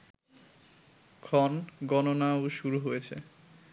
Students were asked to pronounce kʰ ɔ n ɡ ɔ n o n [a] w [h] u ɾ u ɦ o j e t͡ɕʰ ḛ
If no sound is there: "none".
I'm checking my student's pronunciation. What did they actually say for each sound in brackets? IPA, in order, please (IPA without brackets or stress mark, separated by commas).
a, ʃ